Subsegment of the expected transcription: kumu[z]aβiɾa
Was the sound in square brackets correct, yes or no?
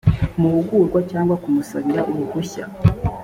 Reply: no